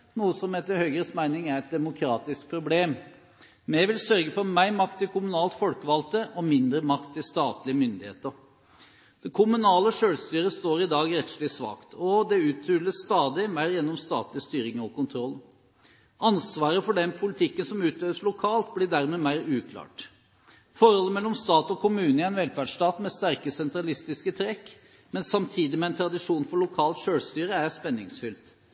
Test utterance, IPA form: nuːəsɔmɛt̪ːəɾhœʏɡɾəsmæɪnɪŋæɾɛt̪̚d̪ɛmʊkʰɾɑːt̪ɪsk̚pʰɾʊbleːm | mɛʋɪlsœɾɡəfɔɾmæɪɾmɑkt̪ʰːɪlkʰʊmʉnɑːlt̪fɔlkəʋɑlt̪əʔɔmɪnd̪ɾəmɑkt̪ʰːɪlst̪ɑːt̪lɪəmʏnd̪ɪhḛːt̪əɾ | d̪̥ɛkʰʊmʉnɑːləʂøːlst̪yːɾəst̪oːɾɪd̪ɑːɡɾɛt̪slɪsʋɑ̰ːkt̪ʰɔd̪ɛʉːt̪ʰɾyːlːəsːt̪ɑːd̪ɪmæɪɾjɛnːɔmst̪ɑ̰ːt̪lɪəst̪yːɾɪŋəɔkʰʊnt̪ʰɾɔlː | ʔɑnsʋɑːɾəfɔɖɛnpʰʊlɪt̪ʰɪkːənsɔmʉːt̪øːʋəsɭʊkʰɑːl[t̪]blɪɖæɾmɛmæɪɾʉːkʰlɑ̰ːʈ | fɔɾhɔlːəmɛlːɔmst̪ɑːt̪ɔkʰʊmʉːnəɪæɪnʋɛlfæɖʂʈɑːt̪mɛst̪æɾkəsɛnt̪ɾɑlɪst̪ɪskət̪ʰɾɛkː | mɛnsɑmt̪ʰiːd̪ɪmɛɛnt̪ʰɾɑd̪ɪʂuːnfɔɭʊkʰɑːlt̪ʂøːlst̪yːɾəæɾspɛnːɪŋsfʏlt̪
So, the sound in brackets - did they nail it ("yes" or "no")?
yes